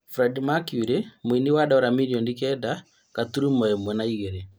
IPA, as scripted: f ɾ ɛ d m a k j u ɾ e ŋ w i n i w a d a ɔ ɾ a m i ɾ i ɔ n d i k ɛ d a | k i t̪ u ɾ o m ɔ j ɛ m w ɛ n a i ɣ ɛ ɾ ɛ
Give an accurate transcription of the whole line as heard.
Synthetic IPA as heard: f ɾ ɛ d m a k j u ɾ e m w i n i w a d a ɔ ɾ a m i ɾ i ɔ n d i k ɛ d a | k a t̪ u ɾ u m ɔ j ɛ m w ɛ n a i ɣ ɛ ɾ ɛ